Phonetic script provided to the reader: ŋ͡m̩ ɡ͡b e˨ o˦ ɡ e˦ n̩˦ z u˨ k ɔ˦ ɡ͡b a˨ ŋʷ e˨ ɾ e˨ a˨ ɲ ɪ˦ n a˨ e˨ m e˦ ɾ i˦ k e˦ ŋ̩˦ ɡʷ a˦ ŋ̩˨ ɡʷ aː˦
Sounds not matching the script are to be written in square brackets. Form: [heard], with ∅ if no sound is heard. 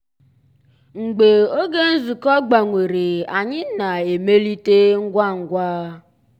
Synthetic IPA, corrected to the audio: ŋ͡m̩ ɡ͡b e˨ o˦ ɡ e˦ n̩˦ z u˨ k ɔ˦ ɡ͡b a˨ ŋʷ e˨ ɾ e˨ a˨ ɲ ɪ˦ n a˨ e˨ m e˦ [l] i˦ [t] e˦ ŋ̩˦ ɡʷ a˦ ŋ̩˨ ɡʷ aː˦